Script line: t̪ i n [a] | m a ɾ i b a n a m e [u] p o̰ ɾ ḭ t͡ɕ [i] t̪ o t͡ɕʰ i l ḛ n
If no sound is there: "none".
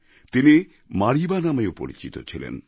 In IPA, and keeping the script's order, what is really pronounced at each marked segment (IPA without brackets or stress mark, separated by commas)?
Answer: i, o, i